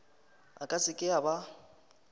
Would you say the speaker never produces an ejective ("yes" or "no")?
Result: no